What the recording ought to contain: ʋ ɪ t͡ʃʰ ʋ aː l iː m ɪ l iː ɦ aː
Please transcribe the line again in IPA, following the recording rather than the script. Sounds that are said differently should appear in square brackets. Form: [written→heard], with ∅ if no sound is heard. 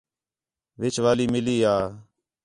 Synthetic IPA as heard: ʋ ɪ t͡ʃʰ ʋ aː l iː m ɪ l iː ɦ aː

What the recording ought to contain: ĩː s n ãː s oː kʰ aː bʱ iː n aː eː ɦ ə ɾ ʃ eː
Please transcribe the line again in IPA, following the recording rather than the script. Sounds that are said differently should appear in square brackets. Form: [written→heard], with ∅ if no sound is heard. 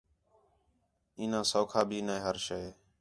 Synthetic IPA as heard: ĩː [s→∅] n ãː s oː kʰ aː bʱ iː n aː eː ɦ ə ɾ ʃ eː

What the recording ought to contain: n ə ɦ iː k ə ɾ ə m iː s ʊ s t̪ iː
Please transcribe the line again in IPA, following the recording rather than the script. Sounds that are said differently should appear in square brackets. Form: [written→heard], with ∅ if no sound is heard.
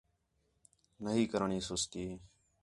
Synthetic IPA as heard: n ə ɦ iː k ə ɾ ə [m→ɳ] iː s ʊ s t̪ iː

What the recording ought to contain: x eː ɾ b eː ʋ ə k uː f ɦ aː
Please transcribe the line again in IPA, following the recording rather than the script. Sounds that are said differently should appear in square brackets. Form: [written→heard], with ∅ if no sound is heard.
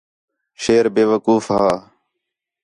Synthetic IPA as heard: [x→ʃ] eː ɾ b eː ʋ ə k uː f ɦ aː

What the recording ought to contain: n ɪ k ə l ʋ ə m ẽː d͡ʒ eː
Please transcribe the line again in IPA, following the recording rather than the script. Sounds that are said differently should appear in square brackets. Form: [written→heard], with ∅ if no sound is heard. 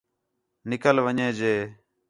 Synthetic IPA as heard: n ɪ k ə l ʋ ə [m→ɲ] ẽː d͡ʒ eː

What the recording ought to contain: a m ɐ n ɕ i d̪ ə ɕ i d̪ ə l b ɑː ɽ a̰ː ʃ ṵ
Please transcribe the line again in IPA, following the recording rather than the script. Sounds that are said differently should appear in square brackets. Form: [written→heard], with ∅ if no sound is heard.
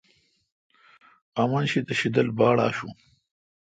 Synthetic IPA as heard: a m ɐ n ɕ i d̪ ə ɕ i d̪ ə l b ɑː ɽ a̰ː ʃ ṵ

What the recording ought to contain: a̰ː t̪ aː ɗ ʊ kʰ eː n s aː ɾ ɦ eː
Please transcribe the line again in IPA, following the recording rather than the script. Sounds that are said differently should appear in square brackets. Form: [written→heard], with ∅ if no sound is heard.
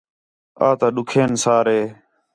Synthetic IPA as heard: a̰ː t̪ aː ɗ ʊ kʰ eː n s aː ɾ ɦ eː

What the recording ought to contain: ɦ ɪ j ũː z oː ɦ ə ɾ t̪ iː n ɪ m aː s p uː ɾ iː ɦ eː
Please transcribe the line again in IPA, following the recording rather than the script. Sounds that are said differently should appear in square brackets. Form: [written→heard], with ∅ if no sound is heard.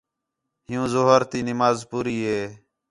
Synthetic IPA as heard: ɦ ɪ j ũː z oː ɦ ə ɾ t̪ iː n ɪ m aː [s→z] p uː ɾ iː ɦ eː

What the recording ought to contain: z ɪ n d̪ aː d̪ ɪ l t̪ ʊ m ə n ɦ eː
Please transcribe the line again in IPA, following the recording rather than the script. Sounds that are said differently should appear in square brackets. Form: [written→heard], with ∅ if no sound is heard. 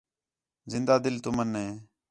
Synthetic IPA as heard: z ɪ n d̪ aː d̪ ɪ l t̪ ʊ m ə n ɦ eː

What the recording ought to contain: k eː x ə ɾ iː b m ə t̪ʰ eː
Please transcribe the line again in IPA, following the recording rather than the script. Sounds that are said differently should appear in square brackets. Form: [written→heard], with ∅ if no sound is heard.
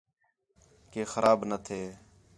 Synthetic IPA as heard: k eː x ə ɾ [iː→aː] b [m→n] ə t̪ʰ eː

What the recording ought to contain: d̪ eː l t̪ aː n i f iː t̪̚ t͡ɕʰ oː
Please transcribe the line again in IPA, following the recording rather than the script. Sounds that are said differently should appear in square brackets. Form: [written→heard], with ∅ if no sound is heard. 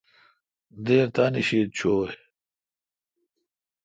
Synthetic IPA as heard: d̪ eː [l→ɾ] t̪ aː n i [f→ɕ] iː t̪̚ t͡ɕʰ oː

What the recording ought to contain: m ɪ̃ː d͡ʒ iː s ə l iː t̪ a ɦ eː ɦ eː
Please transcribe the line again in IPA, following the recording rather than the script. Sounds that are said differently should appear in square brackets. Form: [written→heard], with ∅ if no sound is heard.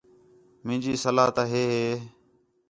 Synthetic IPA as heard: m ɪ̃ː d͡ʒ iː s ə l [iː→aː] t̪ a ɦ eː ɦ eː

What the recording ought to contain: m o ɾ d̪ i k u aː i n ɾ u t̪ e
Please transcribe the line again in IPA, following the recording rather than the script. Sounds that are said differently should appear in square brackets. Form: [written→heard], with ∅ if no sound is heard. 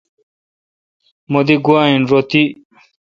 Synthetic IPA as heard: m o [ɾ→∅] d̪ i [k→ɡ] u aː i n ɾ [u→o] t̪ [e→i]

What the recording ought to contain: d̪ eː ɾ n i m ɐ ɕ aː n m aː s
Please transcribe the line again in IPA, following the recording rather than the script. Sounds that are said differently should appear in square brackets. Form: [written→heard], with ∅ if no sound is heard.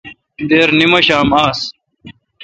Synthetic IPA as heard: d̪ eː ɾ n i m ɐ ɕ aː [n→∅] m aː s

